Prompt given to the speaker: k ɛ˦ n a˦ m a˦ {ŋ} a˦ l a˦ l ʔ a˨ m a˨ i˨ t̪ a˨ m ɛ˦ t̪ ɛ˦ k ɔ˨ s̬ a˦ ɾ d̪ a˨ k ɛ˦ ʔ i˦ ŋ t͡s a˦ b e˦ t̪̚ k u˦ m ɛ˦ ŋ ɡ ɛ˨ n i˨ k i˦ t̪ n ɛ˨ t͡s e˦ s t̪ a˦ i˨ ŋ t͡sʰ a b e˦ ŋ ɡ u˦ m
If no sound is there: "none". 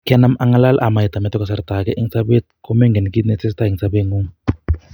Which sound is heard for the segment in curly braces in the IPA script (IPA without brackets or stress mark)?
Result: ŋ